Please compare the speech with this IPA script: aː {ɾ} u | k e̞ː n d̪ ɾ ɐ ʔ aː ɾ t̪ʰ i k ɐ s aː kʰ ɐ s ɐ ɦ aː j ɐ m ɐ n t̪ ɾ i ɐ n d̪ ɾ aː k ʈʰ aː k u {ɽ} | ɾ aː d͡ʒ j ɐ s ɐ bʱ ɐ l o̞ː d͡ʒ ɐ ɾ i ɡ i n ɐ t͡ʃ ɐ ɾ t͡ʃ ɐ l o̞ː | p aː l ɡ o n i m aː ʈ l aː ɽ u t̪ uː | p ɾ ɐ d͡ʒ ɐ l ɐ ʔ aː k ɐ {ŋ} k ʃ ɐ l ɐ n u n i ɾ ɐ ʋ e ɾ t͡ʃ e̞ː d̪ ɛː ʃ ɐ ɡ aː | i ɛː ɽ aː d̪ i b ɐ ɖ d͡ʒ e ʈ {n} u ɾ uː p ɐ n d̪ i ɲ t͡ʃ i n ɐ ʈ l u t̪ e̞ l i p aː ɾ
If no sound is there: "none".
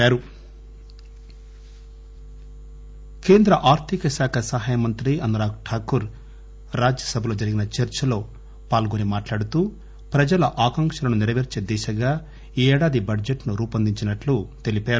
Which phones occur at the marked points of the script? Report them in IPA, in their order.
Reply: ɾ, ɾ, ŋ, n

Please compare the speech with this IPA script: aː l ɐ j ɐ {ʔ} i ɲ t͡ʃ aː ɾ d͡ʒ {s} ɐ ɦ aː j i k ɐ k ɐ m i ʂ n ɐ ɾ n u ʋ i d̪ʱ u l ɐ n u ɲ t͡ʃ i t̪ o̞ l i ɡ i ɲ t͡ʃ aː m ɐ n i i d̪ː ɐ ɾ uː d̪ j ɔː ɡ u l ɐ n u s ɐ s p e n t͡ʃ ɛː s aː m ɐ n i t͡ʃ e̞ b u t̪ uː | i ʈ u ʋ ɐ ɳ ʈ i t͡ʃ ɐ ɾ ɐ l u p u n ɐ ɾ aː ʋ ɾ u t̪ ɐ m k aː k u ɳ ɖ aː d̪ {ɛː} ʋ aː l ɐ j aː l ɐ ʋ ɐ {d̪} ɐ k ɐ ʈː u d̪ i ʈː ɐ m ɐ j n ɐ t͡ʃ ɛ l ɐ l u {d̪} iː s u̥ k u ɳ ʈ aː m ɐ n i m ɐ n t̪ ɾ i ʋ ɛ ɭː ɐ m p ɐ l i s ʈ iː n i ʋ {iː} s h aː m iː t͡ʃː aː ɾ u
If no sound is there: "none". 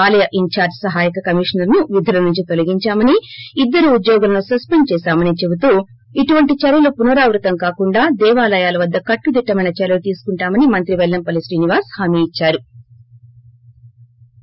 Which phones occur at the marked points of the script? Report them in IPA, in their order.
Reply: ʔ, s, ɛː, d̪ː, t̪, aː

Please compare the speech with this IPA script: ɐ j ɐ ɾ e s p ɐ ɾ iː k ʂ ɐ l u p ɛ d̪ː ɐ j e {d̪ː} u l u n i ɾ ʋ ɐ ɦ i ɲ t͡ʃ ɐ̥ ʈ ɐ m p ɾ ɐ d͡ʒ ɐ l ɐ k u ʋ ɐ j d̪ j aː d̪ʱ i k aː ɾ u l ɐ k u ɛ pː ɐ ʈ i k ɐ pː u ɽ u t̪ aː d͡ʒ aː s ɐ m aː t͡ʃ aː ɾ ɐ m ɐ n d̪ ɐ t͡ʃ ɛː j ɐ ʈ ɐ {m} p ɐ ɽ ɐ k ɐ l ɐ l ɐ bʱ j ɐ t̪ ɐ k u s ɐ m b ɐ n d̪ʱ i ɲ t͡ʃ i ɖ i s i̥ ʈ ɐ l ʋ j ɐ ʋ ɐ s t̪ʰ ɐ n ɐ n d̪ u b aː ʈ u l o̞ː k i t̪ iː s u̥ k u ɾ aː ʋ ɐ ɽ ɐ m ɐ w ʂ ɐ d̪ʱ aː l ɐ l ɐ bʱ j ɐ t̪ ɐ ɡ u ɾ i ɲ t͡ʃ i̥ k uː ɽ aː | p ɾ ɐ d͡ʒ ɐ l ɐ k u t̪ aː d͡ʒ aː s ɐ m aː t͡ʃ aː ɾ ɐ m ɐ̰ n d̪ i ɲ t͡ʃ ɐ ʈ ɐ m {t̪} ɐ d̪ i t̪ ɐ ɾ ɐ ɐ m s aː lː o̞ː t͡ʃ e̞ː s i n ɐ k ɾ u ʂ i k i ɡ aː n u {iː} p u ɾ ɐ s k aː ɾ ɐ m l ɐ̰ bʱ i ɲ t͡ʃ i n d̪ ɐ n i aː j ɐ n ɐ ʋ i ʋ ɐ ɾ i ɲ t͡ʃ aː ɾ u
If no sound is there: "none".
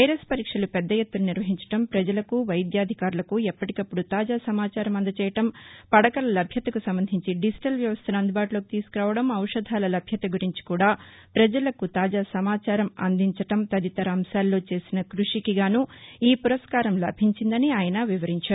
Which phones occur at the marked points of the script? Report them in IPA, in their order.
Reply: t̪ː, m, t̪, iː

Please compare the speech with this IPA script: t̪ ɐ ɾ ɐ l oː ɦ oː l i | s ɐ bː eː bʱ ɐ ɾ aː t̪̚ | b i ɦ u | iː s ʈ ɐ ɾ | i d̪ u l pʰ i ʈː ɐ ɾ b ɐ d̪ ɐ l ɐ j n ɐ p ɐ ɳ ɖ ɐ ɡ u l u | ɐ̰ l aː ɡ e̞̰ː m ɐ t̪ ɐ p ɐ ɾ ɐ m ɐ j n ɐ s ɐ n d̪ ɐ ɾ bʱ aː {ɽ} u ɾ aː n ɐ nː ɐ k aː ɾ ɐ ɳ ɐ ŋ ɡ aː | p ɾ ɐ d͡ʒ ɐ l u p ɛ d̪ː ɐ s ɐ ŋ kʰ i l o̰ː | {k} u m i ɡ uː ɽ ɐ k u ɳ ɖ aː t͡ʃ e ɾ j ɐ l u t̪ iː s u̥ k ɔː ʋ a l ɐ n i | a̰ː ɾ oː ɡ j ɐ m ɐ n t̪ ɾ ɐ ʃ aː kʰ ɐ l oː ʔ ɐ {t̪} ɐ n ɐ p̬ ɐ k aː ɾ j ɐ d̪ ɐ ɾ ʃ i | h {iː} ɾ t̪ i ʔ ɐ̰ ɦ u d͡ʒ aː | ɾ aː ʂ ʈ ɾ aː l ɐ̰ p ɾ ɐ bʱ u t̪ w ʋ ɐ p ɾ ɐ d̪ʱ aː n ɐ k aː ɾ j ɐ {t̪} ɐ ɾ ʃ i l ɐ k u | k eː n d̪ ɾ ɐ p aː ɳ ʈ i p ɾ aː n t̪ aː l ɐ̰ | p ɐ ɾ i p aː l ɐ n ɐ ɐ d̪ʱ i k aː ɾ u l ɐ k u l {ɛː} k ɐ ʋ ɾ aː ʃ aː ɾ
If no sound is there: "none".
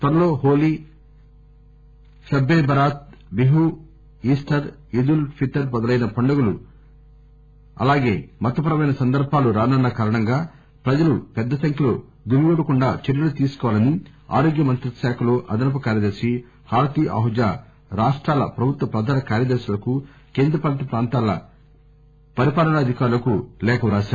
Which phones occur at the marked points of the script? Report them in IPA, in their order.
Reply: l, ɡ, d̪, aː, d̪, ɛː

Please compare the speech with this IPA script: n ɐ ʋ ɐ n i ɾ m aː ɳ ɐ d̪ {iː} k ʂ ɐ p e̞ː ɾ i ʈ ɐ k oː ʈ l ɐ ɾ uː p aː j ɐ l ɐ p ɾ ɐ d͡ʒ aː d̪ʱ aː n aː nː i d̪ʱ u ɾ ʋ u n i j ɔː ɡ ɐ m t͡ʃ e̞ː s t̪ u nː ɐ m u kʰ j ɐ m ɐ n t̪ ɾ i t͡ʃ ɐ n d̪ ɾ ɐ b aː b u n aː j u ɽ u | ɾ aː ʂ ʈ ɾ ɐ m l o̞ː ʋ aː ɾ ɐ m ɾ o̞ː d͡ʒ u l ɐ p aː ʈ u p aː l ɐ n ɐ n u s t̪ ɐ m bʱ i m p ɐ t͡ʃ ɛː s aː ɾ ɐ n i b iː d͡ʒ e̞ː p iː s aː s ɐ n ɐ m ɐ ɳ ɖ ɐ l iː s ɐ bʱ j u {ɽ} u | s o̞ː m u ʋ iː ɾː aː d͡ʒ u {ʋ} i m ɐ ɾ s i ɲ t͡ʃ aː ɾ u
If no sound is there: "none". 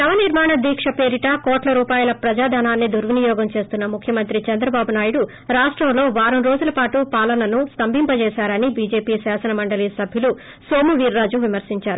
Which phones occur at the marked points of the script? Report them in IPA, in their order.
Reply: iː, l, ʋ

